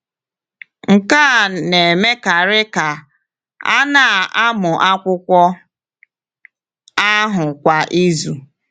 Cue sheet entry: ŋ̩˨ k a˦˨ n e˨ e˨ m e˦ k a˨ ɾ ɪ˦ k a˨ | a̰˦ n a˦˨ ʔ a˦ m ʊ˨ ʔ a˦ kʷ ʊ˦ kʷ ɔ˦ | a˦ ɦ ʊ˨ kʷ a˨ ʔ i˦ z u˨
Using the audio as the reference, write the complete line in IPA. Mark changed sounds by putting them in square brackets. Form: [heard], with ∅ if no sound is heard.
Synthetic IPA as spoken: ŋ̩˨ k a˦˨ n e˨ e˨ m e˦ k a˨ ɾ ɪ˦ k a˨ | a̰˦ n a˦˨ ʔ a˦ m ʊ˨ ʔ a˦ kʷ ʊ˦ kʷ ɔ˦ | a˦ ɦ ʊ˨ kʷ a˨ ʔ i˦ z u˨